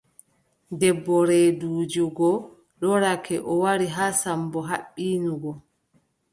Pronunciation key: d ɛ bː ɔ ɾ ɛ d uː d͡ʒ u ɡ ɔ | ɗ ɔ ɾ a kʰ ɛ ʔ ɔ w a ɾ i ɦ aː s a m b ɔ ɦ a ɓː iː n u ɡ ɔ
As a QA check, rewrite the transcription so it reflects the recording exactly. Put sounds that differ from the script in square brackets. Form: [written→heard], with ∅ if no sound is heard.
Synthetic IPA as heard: d ɛ bː ɔ ɾ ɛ d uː d͡ʒ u ɡ ɔ | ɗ ɔ ɾ a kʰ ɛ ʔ ɔ w a ɾ i ɦ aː s a m b ɔ ɦ a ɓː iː n u ɡ ɔ

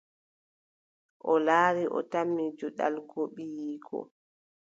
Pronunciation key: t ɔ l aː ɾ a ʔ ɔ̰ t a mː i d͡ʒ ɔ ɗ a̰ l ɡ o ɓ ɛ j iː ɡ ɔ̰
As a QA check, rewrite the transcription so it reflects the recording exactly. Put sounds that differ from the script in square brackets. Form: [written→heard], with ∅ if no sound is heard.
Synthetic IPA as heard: [t→ʔ] ɔ l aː ɾ [a→i] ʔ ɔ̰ t a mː i d͡ʒ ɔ ɗ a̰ l ɡ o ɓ [ɛ→i] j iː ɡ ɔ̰

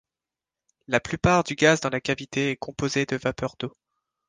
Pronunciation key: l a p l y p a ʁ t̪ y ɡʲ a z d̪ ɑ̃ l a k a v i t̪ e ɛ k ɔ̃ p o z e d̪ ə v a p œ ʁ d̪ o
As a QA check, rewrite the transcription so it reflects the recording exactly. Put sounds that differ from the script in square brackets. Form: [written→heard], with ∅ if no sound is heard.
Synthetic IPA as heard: l a p l y p a ʁ [t̪→d̪] y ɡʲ a z d̪ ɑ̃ l a k a v i t̪ e ɛ k ɔ̃ p o z e d̪ ə v a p œ ʁ d̪ o

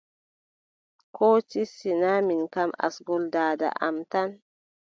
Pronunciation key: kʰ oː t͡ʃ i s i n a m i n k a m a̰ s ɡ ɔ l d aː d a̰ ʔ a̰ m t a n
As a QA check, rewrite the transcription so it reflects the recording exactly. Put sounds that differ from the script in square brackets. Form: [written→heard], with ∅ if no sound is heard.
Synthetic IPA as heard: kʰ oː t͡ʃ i s i n a m i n k a m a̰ s ɡ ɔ l d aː d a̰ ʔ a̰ m t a n

